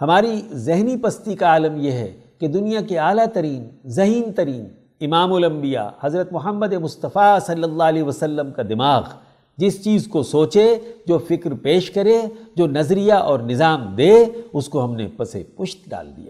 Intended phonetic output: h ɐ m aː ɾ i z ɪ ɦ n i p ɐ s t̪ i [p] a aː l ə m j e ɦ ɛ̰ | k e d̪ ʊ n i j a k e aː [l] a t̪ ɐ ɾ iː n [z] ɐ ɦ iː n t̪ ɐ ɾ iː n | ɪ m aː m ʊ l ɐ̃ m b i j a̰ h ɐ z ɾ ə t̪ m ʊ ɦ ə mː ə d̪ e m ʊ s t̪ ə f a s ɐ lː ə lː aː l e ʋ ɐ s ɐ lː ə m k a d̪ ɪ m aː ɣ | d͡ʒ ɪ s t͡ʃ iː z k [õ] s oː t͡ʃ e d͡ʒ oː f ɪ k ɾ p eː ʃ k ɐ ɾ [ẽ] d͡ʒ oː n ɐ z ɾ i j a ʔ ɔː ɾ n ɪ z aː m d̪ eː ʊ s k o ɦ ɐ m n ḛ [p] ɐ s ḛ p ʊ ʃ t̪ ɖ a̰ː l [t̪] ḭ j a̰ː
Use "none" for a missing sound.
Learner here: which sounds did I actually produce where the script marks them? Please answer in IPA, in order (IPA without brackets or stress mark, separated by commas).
k, l, z, o, e, p, d̪